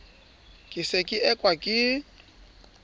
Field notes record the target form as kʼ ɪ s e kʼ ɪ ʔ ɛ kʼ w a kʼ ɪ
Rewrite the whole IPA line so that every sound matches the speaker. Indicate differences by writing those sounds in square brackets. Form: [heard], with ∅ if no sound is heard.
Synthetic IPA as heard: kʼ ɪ s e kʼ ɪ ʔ ɛ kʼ w a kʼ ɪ